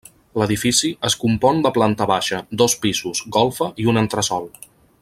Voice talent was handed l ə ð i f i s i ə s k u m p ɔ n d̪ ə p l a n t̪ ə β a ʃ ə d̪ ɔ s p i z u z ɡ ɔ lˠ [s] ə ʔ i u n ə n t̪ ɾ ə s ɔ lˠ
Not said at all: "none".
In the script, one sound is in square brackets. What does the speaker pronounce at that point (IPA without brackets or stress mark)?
f